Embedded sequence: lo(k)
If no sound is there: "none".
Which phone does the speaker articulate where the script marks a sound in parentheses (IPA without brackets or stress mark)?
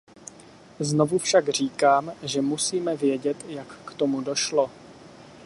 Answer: none